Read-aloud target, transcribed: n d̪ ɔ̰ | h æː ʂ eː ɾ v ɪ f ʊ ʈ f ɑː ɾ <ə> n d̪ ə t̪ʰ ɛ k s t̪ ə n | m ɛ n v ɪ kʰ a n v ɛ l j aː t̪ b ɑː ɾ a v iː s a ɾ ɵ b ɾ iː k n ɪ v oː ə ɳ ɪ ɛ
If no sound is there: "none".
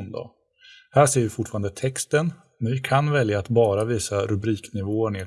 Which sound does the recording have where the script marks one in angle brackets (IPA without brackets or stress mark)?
a